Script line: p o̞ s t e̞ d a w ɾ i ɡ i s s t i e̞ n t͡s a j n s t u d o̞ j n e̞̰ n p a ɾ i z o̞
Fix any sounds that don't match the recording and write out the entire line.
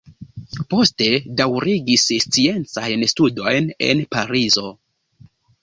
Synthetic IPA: p o̞ s t e̞ d a w ɾ i ɡ i s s t͡s i e̞ n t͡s a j n s t u d o̞ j n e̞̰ n p a ɾ i z o̞